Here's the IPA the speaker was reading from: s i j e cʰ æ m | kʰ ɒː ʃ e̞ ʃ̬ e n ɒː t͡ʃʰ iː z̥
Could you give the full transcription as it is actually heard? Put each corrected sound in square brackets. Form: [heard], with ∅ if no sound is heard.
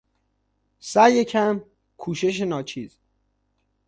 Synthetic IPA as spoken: s [æ] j e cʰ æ m | kʰ [uː] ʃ e̞ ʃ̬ e n ɒː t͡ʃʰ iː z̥